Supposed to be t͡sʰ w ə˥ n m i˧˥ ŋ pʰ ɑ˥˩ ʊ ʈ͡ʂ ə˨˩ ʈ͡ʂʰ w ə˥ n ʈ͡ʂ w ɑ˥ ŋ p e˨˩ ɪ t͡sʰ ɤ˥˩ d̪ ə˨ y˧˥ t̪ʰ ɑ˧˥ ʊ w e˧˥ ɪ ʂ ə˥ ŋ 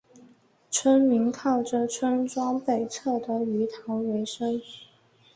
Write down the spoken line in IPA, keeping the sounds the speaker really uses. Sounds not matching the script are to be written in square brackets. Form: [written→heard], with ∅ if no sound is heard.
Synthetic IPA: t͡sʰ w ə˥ n m i˧˥ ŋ [pʰ→kʰ] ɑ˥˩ ʊ ʈ͡ʂ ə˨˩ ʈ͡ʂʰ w ə˥ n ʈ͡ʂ w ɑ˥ ŋ p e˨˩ ɪ t͡sʰ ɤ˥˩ d̪ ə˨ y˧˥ t̪ʰ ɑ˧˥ ʊ w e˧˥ ɪ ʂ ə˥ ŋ

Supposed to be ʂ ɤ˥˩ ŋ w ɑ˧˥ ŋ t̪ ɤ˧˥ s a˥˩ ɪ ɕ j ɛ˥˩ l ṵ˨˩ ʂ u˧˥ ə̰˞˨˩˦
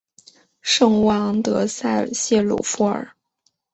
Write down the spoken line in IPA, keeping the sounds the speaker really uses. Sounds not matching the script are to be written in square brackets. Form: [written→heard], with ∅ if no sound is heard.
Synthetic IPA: ʂ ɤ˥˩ ŋ w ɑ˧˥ ŋ t̪ ɤ˧˥ s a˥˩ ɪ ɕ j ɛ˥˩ l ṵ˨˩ [ʂ→f] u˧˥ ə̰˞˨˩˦

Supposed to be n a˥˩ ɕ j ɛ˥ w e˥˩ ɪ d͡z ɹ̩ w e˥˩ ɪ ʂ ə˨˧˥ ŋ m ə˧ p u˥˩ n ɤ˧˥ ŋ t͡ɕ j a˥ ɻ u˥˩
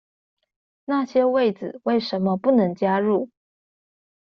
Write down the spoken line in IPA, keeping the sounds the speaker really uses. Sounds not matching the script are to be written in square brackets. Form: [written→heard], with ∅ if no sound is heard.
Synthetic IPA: n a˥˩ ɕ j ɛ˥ w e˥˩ ɪ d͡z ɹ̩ w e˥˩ ɪ ʂ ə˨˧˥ [ŋ→n] m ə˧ p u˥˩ n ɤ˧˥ ŋ t͡ɕ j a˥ ɻ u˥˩

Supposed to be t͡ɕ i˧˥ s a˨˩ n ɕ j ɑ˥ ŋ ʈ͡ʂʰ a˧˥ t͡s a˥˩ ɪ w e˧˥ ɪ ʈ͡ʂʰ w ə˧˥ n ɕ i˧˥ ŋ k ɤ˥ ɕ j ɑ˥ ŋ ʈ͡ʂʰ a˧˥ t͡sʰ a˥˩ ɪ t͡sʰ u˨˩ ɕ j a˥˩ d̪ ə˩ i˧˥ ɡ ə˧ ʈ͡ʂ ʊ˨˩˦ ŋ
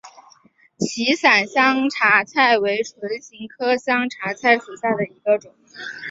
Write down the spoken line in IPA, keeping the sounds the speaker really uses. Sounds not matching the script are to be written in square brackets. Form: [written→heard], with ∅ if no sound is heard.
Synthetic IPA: [t͡ɕ→t͡ɕʰ] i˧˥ s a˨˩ n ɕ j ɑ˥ ŋ ʈ͡ʂʰ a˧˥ [t͡s→t͡sʰ] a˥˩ ɪ w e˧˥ ɪ ʈ͡ʂʰ w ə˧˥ n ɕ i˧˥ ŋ [k→kʰ] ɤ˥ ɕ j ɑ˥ ŋ ʈ͡ʂʰ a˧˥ t͡sʰ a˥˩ ɪ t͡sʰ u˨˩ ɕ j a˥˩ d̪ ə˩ i˧˥ ɡ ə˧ ʈ͡ʂ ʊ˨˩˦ ŋ

